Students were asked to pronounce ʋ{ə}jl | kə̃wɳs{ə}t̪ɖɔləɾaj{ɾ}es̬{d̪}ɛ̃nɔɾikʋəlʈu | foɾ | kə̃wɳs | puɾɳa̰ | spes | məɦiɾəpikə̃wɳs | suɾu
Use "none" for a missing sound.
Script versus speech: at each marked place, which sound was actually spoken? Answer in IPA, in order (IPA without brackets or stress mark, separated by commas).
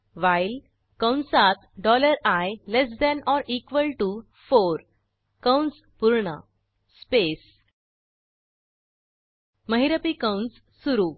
a, a, l, d̪